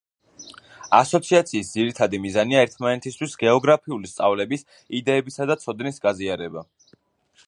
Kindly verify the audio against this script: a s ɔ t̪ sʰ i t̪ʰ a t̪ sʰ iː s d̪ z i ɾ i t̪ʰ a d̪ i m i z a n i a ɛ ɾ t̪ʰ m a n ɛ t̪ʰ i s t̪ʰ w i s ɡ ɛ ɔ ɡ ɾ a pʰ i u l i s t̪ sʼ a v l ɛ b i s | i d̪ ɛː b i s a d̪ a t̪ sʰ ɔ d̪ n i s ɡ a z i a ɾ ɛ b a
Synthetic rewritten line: a s ɔ t̪ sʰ i a t̪ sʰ iː s d̪ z i ɾ i t̪ʰ a d̪ i m i z a n i a ɛ ɾ t̪ʰ m a n ɛ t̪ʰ i s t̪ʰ w i s ɡ ɛ ɔ ɡ ɾ a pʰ i u l i s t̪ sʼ a v l ɛ b i s | i d̪ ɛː b i s a d̪ a t̪ sʰ ɔ d̪ n i s ɡ a z i a ɾ ɛ b a